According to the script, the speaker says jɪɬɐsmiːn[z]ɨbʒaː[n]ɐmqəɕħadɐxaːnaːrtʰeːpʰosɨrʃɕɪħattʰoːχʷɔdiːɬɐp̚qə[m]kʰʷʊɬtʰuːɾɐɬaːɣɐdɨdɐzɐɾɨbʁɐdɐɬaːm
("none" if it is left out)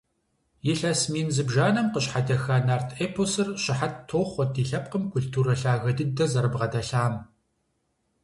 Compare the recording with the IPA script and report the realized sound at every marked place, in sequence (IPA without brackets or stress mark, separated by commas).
z, n, m